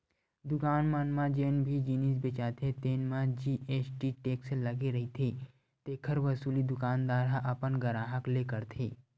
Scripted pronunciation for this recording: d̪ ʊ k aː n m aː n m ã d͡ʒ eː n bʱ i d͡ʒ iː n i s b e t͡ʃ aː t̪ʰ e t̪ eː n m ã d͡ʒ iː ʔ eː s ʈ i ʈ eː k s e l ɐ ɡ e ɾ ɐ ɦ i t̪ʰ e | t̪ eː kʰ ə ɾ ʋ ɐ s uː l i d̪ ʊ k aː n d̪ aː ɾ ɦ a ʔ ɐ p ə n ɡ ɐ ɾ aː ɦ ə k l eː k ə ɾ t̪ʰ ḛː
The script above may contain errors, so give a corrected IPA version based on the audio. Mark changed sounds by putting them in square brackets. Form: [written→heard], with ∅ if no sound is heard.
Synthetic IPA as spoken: d̪ ʊ k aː n m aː n m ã d͡ʒ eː n bʱ i d͡ʒ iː n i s b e t͡ʃ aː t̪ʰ e t̪ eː n m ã d͡ʒ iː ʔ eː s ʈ i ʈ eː k s e l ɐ ɡ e ɾ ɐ ɦ i t̪ʰ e | t̪ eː kʰ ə ɾ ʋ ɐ s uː l i d̪ ʊ k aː n d̪ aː ɾ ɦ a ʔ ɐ p ə n ɡ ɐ ɾ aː ɦ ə k l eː k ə ɾ t̪ʰ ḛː